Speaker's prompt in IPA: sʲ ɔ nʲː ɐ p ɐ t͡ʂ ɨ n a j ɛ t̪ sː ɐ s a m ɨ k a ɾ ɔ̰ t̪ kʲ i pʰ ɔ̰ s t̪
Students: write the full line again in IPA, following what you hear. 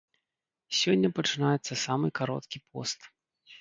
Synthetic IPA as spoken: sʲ ɔ nʲː ɐ p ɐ t͡ʂ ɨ n a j ɛ t̪ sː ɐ s a m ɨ k a ɾ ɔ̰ t̪ kʲ i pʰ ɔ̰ s t̪